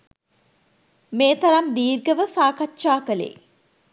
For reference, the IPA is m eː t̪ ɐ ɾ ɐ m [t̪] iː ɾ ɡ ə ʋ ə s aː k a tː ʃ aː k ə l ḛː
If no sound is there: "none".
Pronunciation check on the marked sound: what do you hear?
d̪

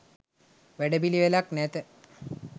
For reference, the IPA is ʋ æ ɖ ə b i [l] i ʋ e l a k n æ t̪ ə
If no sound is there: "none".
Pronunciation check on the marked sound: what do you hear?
l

